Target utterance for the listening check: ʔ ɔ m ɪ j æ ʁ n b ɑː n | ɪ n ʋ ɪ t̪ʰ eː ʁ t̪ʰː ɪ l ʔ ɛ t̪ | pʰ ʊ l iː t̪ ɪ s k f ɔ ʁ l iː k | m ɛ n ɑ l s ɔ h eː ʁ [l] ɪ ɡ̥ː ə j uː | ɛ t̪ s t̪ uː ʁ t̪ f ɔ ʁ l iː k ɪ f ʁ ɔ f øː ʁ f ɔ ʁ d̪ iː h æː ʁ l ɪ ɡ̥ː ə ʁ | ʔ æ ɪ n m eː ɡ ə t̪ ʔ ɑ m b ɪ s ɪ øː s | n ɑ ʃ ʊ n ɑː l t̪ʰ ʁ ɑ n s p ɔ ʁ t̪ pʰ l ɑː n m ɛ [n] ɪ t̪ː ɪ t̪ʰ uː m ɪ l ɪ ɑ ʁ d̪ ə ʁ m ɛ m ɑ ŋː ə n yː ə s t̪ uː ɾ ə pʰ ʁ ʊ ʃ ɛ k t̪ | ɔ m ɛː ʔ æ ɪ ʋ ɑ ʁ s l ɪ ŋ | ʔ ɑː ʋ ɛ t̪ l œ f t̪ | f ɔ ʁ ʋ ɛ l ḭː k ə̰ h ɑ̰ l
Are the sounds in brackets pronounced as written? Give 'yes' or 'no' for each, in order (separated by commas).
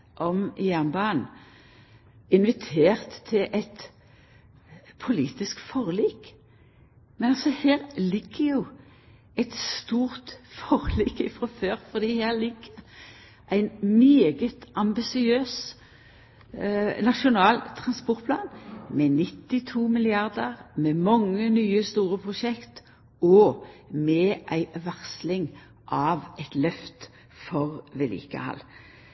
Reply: yes, yes